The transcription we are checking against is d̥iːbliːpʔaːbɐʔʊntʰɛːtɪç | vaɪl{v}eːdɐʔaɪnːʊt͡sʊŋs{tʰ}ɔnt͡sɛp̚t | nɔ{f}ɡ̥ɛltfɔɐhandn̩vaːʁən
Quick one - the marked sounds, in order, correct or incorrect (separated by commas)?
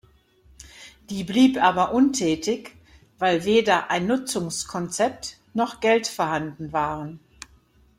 correct, incorrect, incorrect